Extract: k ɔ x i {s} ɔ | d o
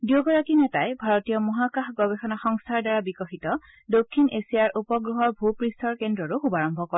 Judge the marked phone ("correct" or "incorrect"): incorrect